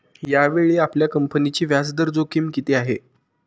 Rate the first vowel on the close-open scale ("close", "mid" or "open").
open